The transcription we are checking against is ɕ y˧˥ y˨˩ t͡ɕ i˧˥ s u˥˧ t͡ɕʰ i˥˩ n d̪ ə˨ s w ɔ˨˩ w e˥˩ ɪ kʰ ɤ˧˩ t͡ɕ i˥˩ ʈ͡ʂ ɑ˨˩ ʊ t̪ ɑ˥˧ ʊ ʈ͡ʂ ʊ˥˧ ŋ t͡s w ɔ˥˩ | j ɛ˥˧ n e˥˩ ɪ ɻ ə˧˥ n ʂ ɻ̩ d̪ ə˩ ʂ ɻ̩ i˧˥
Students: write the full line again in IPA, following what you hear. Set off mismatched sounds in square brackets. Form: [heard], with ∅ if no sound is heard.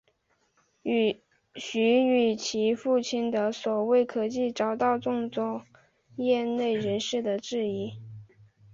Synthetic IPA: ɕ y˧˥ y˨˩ [t͡ɕʰ] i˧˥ [f] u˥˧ t͡ɕʰ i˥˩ n d̪ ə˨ s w ɔ˨˩ w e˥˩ ɪ kʰ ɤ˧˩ t͡ɕ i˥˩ ʈ͡ʂ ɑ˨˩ ʊ t̪ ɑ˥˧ ʊ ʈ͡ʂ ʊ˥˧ ŋ t͡s w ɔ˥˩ | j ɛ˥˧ n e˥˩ ɪ ɻ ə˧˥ n ʂ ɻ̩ d̪ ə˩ [ʈ͡ʂ] ɻ̩ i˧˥